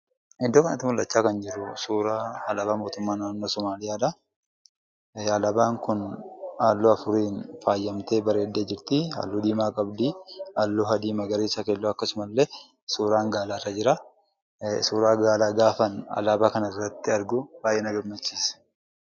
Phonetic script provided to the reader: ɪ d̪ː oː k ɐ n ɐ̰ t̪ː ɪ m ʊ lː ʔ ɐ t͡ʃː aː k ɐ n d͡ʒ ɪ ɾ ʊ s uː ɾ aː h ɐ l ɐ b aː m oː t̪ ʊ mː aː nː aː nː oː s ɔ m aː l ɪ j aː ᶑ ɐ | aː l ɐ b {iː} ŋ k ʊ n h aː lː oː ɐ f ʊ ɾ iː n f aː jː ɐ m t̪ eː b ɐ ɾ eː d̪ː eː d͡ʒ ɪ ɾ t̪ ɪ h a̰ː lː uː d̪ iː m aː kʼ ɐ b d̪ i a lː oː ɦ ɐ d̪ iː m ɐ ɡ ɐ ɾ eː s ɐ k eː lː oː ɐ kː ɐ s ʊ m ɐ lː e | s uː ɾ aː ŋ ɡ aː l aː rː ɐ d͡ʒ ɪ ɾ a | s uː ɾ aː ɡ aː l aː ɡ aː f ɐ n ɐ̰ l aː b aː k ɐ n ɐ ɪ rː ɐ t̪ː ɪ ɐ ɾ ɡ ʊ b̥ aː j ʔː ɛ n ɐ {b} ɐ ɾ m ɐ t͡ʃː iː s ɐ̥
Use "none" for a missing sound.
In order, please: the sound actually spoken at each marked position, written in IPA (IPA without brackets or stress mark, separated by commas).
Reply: aː, ɡ